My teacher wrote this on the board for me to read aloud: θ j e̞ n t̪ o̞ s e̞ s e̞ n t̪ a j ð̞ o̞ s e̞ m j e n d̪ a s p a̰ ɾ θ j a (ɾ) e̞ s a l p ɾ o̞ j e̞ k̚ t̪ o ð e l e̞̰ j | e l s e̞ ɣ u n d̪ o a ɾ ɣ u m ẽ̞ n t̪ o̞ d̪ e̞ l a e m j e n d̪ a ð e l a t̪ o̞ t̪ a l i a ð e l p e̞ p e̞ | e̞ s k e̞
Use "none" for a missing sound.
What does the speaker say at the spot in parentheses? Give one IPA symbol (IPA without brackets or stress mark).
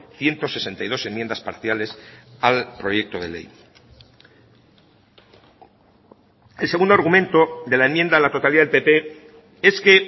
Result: l